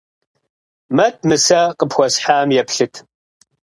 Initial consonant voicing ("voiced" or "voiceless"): voiced